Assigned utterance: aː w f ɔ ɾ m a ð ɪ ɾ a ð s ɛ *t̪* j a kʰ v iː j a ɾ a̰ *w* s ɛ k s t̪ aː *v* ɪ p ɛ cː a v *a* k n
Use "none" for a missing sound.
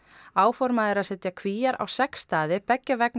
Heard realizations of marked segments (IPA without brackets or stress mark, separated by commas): t̪, w, ð, ɛ